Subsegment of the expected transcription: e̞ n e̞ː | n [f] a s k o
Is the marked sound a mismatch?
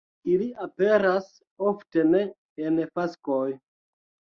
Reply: no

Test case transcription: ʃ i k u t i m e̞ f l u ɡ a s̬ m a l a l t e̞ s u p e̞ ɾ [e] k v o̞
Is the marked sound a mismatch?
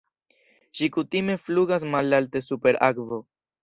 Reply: yes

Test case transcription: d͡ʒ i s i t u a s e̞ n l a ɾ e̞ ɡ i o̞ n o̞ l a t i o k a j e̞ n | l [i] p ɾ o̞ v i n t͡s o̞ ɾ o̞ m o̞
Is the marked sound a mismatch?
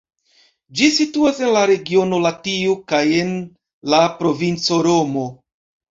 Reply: yes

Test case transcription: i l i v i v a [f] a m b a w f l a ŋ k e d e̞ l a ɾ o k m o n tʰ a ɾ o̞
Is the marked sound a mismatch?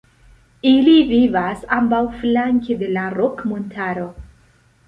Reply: yes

